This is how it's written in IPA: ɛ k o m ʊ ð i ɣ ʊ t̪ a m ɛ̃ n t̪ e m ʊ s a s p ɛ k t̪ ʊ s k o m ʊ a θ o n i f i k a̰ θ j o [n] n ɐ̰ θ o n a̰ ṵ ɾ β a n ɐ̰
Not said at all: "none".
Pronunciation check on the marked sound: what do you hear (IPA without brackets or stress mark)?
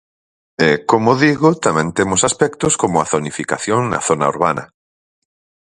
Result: ŋ